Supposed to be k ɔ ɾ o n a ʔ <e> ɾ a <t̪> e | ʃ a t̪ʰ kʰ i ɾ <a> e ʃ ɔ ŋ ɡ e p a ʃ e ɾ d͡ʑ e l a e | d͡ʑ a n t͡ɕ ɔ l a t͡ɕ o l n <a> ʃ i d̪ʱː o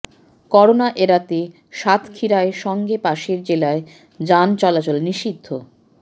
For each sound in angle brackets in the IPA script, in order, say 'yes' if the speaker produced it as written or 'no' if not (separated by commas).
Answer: yes, yes, yes, no